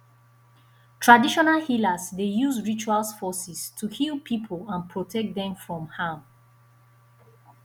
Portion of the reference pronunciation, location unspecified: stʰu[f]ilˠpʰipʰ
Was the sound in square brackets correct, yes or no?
no